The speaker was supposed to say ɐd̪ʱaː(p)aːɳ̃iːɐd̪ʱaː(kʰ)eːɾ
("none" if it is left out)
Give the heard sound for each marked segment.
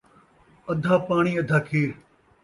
p, kʰ

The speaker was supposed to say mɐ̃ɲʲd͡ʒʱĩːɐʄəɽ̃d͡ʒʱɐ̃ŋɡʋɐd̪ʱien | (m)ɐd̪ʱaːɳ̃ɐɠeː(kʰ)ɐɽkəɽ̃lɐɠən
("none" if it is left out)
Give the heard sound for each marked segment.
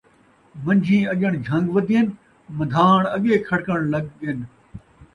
m, kʰ

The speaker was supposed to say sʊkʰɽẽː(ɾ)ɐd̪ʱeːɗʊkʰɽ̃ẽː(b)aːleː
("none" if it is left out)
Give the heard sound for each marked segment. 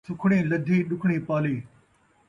l, p

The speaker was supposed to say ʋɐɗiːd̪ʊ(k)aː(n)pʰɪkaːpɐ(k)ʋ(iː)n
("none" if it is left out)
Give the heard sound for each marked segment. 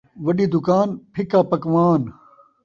k, n, k, aː

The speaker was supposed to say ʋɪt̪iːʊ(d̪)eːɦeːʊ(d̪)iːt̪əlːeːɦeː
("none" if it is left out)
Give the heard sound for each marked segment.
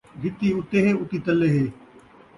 t̪, t̪

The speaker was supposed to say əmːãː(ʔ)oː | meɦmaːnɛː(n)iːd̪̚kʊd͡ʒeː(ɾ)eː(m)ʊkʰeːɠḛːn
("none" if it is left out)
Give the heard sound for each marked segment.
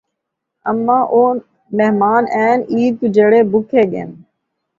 ʔ, n, ɽ, b

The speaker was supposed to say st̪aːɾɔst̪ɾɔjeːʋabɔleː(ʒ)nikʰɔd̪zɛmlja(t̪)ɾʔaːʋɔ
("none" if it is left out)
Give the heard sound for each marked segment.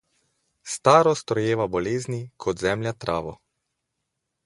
z, t̪

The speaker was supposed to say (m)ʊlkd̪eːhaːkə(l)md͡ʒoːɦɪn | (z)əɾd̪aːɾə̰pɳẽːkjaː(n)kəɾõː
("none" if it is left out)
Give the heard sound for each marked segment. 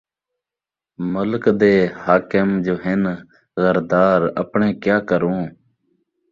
m, none, ɣ, none

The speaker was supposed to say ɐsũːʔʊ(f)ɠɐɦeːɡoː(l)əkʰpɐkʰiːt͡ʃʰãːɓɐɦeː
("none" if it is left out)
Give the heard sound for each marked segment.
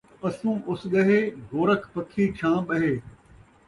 s, ɾ

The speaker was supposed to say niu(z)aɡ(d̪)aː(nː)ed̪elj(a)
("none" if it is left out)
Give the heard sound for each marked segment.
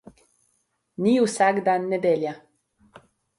s, d̪, nː, a

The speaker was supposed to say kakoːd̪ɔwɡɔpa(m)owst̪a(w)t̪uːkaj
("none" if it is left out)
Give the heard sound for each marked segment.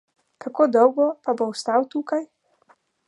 b, w

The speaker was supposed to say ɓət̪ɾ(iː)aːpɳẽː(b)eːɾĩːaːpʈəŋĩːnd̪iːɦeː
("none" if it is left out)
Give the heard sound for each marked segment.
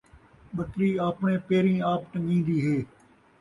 iː, p

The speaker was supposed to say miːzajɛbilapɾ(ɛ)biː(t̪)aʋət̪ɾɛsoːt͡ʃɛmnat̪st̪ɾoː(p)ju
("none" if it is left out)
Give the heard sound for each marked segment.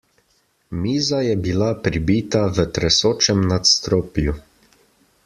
i, t̪, p

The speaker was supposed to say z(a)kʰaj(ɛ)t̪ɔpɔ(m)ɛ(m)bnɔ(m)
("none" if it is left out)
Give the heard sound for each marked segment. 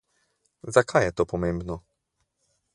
a, ɛ, m, m, none

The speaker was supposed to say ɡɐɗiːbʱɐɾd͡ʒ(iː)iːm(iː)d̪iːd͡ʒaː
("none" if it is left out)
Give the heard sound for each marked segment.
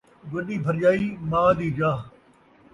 aː, aː

